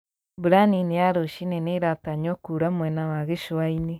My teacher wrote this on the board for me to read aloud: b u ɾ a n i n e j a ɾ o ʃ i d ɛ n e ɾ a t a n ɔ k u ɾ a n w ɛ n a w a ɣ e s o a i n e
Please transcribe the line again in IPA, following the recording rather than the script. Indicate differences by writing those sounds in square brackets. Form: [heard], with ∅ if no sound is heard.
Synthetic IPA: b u ɾ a n i n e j a ɾ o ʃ i [n] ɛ n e ɾ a t a [ɲ] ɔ k u ɾ a [m] w ɛ n a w a ɣ e [ʃ] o a i n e